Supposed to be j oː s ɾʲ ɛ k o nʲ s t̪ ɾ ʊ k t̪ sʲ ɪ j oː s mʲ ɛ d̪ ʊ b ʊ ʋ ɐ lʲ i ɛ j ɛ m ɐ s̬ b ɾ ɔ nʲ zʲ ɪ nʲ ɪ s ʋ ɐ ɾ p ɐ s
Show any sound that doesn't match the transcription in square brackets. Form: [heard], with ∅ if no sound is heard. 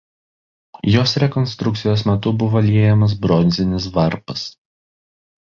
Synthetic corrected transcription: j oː s ɾʲ ɛ k [ɔ] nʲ s t̪ ɾ ʊ k t̪ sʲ ɪ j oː s mʲ ɛ [t̪] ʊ b ʊ ʋ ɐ lʲ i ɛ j ɛ m ɐ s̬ b ɾ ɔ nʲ zʲ ɪ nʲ ɪ s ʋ ɐ ɾ p ɐ s